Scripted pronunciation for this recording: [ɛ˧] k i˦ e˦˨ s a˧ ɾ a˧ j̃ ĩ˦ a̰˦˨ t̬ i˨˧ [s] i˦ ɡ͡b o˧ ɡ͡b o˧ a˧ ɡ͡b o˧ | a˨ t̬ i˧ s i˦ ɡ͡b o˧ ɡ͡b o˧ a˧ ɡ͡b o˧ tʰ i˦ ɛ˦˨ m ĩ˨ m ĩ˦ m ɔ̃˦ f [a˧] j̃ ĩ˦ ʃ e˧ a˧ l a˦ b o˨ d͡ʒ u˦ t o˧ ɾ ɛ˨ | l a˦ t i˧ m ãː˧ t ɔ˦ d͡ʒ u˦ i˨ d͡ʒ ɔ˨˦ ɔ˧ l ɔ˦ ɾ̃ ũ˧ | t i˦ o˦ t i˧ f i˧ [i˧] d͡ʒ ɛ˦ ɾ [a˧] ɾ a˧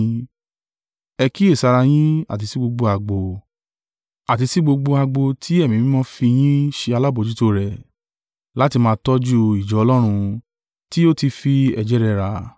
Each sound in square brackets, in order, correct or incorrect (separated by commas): correct, correct, incorrect, incorrect, incorrect